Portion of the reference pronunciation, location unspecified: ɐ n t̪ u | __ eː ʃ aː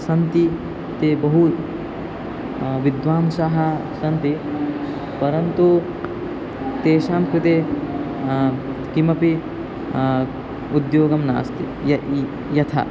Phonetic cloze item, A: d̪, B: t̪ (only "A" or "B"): B